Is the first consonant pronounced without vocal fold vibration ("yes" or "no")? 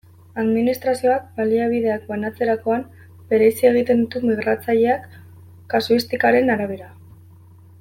no